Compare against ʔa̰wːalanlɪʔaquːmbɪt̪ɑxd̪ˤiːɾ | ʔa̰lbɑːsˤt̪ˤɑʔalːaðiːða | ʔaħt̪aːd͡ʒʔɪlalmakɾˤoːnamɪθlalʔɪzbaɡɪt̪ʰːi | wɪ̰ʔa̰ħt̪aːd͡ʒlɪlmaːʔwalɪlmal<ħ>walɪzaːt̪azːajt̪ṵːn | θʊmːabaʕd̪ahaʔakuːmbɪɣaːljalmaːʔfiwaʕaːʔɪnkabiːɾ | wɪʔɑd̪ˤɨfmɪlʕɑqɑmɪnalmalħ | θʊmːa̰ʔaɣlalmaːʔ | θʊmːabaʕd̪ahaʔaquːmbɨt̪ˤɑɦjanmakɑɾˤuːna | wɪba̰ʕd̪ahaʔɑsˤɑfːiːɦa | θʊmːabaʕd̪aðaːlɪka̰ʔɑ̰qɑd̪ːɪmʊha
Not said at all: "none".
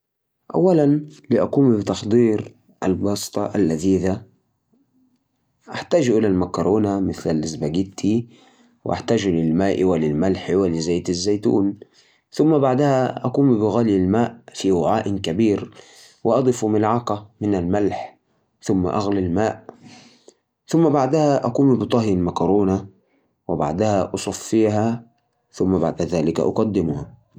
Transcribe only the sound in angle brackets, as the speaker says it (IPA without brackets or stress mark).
ħ